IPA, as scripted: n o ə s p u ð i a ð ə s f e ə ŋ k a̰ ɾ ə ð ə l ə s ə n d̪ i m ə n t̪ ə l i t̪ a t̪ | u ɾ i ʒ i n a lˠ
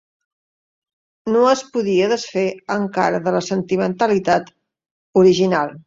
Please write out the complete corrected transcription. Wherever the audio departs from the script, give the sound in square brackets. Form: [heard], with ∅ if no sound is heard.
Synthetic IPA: n o ə s p u ð i [ə] ð ə s f e ə ŋ k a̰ ɾ ə ð ə l ə s ə n [t̪] i m ə n t̪ ə l i t̪ a t̪ | u ɾ i ʒ i n a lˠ